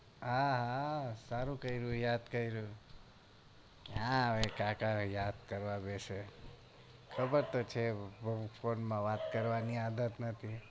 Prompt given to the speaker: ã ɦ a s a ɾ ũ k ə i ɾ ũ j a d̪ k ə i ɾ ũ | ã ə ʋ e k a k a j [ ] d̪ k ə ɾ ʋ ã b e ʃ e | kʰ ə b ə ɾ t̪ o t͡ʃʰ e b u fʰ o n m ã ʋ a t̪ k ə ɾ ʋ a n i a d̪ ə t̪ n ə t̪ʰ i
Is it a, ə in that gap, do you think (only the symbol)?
a